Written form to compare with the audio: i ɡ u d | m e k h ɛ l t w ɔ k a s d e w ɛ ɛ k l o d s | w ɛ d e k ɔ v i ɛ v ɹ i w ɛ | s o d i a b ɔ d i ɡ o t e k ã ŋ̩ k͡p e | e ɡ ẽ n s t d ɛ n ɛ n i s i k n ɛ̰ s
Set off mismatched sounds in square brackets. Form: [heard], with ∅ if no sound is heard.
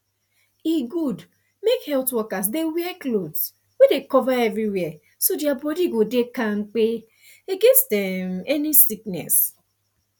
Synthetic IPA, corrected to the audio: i ɡ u d | m e k h ɛ l t w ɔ k a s d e w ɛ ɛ k l o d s | w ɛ d e k ɔ v [a] ɛ v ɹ i w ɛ | s o d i a b ɔ d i ɡ o [d] e k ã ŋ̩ k͡p e | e ɡ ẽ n s t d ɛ [m] ɛ n i s i k n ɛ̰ s